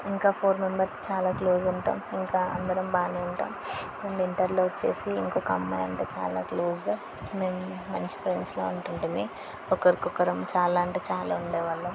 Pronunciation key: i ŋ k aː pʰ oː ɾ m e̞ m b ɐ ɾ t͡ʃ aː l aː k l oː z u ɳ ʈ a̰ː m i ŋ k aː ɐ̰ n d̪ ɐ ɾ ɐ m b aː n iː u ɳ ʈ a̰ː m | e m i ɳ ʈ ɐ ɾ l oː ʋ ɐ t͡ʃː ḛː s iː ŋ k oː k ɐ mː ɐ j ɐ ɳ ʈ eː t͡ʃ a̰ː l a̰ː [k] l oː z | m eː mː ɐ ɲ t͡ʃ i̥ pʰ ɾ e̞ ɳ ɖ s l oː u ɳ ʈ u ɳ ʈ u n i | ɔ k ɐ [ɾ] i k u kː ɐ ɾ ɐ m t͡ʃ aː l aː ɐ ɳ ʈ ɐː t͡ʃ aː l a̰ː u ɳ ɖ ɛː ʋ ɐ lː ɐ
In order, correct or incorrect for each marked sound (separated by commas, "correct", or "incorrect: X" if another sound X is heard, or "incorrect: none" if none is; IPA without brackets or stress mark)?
correct, correct